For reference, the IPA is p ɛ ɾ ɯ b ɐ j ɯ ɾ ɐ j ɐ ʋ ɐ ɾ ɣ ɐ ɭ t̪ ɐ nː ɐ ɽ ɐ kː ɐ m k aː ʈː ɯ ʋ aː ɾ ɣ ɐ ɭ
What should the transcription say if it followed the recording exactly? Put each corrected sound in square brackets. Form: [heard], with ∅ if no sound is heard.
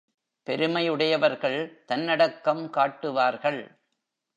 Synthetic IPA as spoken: p ɛ ɾ ɯ [m] ɐ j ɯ [ɽ] ɐ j ɐ ʋ ɐ ɾ ɣ ɐ ɭ t̪ ɐ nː ɐ ɽ ɐ kː ɐ m k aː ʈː ɯ ʋ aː ɾ ɣ ɐ ɭ